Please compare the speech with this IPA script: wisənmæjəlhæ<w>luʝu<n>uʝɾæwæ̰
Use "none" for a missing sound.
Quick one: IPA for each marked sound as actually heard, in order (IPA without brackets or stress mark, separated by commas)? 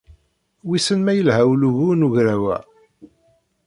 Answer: w, n